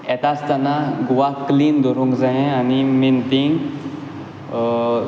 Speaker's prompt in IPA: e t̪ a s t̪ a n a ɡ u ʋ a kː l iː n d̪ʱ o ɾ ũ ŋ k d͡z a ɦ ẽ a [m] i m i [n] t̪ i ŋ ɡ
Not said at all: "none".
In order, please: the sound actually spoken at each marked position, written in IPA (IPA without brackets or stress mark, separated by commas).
n, n